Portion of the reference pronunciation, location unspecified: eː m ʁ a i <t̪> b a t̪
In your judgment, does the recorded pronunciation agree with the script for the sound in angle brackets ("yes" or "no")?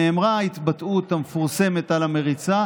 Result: yes